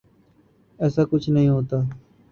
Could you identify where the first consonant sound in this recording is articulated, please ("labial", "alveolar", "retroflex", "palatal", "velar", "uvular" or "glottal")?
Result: alveolar